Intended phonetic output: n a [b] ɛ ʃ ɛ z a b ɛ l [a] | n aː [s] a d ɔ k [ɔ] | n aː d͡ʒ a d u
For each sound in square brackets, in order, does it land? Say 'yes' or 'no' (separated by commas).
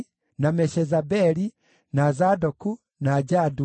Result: no, no, no, no